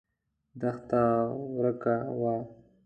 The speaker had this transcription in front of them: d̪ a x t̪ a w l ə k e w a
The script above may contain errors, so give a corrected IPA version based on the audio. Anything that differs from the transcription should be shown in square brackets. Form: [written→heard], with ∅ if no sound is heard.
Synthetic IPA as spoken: d̪ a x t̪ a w [l→ɾ] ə k [e→a] w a